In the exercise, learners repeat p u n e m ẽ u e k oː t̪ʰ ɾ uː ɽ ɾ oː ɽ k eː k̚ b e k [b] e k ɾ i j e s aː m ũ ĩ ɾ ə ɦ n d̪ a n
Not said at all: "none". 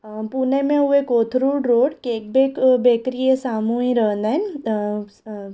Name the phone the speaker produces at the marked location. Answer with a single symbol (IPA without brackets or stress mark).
b